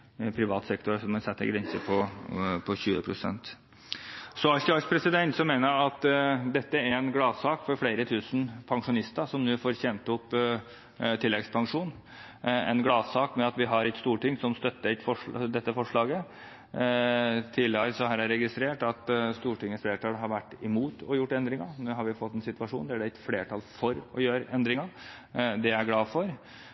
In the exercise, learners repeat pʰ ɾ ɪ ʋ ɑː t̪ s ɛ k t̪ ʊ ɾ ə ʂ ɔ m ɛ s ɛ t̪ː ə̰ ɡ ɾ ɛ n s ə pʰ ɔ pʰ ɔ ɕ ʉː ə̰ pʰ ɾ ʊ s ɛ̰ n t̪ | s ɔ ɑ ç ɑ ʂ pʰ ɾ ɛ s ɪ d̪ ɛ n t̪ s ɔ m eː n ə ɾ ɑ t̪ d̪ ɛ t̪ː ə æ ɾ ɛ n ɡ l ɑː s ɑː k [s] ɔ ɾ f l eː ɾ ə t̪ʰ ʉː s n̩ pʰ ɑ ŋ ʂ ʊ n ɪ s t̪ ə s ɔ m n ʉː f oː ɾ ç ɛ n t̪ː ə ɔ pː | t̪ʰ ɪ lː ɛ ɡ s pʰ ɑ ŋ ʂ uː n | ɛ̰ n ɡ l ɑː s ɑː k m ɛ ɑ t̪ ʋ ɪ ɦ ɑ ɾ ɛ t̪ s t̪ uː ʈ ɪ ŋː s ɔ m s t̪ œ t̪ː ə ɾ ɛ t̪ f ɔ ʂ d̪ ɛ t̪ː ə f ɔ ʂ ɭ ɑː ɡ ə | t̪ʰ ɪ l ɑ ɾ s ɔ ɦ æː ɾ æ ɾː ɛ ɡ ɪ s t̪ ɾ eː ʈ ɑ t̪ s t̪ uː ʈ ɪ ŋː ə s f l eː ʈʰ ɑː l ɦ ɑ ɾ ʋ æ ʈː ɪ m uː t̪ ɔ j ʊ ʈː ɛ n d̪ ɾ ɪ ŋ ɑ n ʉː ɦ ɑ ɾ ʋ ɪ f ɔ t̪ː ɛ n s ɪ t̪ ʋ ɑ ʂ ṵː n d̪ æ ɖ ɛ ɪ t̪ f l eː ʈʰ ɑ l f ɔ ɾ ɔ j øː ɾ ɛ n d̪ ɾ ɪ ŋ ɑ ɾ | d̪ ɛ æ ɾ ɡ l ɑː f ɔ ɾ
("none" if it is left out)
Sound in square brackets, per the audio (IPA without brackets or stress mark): f